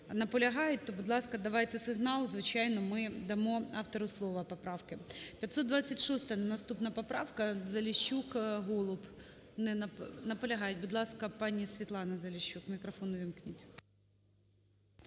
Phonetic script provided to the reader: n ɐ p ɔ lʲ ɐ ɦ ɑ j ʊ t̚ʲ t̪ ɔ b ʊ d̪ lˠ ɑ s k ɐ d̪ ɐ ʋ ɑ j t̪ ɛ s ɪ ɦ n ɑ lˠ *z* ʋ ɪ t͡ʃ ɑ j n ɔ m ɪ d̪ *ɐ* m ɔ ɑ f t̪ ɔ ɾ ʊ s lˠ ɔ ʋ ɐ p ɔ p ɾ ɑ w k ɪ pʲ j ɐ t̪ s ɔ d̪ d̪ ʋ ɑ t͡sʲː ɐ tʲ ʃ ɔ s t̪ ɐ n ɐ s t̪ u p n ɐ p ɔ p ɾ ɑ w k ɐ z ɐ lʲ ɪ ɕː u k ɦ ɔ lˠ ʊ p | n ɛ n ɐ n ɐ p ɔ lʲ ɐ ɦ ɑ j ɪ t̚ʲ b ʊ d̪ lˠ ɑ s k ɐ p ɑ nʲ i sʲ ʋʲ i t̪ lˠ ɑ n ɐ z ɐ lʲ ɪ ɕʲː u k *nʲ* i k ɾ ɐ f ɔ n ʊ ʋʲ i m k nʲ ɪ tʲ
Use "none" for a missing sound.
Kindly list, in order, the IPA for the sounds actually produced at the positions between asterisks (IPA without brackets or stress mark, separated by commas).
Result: z, ɐ, mʲ